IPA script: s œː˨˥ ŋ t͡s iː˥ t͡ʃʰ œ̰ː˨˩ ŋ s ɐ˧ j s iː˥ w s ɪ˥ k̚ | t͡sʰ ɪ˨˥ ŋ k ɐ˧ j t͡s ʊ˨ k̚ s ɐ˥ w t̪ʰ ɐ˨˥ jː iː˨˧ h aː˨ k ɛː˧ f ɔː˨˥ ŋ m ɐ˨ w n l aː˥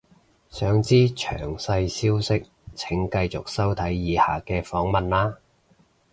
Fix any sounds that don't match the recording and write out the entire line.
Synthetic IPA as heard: s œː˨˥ ŋ t͡s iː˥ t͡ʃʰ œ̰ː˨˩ ŋ s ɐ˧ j s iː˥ w s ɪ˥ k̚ | t͡sʰ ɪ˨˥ ŋ k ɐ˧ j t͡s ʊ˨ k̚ s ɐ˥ w t̪ʰ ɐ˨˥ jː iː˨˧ h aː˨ k ɛː˧ f ɔː˨˥ ŋ m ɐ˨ n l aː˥